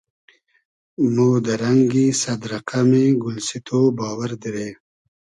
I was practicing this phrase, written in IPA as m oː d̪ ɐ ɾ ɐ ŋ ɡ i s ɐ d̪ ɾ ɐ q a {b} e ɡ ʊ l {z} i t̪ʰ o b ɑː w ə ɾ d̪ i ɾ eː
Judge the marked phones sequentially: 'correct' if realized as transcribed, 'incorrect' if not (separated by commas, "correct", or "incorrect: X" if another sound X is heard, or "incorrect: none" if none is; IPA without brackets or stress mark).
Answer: incorrect: m, incorrect: s